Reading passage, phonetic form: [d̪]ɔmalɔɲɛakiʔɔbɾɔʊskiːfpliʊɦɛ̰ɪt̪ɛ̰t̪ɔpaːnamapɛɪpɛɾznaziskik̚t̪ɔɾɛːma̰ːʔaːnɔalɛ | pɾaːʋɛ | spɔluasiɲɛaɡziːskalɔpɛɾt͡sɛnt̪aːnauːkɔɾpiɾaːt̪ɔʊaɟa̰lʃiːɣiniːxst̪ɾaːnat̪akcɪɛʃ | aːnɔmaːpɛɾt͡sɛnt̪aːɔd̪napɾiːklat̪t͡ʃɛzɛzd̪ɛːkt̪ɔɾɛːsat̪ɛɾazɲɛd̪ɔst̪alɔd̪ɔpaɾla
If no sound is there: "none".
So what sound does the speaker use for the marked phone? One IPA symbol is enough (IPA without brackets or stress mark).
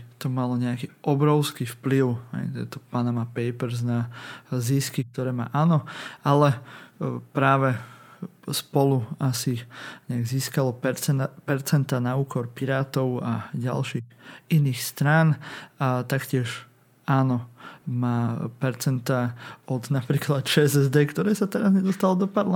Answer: t̪